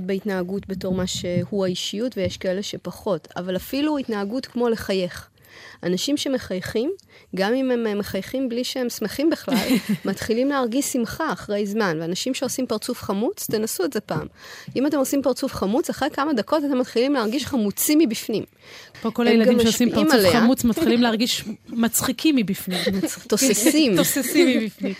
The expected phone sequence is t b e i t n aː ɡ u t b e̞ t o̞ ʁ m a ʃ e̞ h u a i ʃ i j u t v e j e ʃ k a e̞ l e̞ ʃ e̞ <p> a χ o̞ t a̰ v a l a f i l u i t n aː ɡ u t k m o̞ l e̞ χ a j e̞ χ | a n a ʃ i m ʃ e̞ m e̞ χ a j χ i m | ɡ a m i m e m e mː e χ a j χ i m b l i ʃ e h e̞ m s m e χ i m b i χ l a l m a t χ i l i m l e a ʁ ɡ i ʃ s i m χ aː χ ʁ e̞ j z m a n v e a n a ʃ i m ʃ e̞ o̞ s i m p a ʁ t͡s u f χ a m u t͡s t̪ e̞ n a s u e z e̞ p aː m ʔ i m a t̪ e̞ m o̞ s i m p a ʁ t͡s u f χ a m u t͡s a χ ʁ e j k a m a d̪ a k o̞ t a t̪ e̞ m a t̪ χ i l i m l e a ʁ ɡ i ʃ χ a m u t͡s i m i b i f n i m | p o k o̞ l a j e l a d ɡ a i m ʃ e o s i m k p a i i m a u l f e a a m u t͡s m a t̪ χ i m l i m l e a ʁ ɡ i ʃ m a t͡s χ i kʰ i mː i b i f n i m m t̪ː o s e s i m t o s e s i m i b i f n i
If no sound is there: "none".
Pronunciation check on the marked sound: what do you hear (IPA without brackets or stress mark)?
p